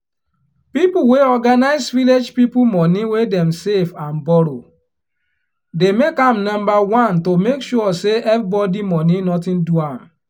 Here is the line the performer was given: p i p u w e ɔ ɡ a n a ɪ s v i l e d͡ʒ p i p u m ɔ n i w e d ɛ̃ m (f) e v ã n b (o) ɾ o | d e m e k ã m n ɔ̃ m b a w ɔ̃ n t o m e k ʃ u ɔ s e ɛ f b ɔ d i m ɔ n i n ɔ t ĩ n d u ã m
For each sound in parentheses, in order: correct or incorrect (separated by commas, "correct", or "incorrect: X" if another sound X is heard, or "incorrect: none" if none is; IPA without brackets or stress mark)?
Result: incorrect: s, incorrect: ɔ